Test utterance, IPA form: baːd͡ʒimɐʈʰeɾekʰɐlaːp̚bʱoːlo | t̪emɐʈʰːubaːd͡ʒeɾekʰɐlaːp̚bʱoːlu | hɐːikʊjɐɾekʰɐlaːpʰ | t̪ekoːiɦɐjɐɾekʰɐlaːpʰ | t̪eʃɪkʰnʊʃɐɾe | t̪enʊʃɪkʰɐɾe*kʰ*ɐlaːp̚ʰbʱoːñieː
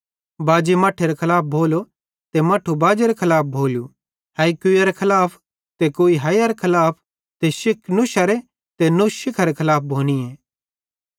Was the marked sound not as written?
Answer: no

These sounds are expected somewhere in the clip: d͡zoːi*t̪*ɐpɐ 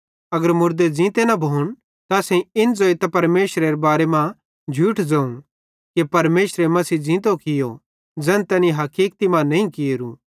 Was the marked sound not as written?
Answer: no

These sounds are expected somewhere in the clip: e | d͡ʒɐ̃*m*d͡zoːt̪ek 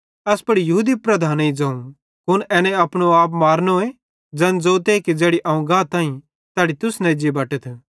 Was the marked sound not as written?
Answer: yes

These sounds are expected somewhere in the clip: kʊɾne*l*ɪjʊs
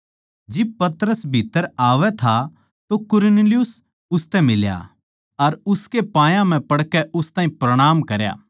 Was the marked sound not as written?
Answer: no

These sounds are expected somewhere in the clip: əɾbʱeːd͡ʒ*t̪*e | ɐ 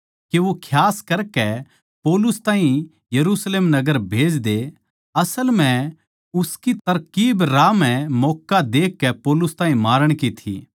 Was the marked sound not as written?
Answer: yes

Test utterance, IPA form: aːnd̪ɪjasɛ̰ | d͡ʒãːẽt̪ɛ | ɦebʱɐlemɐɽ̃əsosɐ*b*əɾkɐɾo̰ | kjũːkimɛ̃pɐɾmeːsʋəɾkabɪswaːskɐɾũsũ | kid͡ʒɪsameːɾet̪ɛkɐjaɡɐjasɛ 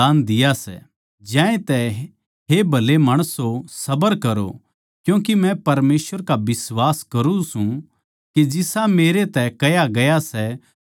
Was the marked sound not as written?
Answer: no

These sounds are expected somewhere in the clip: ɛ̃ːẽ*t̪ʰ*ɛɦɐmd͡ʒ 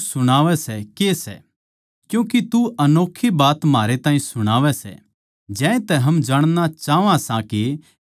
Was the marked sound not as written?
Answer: yes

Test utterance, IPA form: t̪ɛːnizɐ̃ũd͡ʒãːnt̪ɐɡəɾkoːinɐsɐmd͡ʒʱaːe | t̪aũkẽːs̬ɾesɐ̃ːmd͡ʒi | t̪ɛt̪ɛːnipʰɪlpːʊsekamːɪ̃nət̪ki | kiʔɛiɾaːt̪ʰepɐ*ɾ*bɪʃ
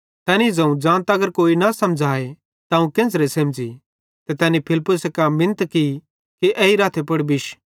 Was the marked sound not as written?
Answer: yes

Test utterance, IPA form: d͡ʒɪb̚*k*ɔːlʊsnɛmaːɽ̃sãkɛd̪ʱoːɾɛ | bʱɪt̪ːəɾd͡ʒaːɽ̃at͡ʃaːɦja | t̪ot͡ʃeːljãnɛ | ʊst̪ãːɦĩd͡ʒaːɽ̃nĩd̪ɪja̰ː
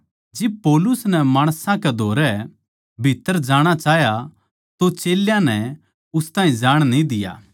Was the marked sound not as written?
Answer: yes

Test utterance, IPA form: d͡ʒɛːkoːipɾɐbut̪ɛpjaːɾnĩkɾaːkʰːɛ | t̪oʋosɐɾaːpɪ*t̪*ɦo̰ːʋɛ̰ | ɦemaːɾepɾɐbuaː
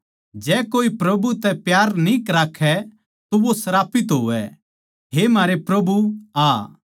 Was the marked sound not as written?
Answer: no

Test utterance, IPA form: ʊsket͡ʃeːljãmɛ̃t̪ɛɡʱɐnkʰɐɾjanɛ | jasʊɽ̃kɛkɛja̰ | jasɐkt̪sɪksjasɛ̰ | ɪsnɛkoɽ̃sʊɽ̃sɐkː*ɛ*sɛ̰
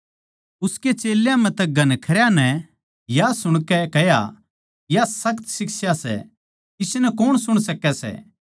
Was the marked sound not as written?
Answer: no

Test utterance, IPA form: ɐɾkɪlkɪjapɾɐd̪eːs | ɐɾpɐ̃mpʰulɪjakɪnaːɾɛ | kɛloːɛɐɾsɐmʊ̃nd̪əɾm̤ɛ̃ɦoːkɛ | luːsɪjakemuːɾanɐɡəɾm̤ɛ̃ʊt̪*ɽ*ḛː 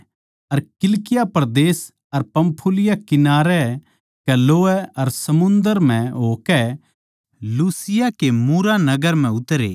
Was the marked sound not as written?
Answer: yes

